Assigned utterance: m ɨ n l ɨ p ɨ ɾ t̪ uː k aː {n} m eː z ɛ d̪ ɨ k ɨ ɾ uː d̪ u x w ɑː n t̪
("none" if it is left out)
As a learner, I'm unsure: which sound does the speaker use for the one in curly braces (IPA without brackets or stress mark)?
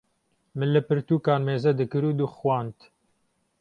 n